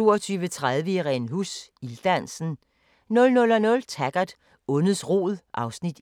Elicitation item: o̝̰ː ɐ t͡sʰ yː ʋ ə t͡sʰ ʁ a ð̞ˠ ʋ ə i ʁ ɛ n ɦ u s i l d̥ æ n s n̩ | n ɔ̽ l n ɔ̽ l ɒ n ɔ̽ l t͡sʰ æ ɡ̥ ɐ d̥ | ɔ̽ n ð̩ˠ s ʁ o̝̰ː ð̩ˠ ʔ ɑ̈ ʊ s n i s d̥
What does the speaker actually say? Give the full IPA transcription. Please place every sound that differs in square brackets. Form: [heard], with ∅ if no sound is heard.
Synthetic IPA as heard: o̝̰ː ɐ t͡sʰ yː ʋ ə t͡sʰ ʁ a ð̞ˠ ʋ ə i ʁ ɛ n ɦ u s i l d̥ æ n s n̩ | n ɔ̽ l n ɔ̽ l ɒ n ɔ̽ l t͡sʰ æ ɡ̥ ɐ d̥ | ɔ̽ n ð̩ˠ s ʁ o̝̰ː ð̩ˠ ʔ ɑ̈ ʊ s n i [∅] d̥